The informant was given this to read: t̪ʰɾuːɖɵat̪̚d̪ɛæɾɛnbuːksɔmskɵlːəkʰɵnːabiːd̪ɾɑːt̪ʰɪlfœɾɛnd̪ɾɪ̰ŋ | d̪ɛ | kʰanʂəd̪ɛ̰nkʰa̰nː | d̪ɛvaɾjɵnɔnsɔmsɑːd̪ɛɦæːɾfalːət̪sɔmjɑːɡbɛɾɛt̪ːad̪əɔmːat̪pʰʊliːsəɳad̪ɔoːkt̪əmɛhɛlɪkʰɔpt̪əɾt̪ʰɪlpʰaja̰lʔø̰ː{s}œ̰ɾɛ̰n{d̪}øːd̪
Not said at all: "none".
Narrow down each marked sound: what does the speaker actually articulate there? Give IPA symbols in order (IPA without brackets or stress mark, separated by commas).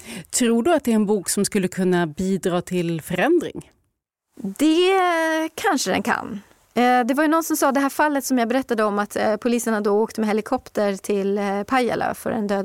f, d̪